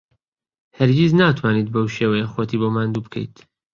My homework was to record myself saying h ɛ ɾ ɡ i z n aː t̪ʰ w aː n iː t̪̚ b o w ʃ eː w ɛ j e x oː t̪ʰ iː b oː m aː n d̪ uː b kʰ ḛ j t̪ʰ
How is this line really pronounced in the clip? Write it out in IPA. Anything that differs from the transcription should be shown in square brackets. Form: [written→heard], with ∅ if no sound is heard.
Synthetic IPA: h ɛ ɾ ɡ i z n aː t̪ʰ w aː n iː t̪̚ b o w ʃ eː w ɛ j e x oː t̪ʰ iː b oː m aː n d̪ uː b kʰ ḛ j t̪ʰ